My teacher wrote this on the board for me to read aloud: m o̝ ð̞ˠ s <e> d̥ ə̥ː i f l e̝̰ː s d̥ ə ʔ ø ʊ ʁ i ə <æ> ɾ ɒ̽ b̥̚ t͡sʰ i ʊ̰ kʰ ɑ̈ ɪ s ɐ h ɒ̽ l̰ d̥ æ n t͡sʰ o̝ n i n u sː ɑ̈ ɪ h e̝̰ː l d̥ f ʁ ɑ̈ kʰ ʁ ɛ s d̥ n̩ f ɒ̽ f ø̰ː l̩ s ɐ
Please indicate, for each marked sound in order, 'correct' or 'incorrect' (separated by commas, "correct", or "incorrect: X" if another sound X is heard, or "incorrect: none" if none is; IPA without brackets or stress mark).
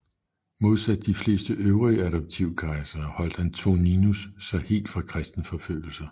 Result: incorrect: æ, correct